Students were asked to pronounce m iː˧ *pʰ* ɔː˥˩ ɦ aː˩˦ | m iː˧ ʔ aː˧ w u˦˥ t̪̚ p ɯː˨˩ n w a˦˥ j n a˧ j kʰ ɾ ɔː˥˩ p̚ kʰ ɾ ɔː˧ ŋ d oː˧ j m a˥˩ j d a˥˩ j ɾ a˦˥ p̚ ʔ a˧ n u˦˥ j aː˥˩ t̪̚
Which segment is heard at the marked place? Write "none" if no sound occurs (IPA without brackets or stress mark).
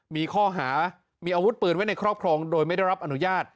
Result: kʰ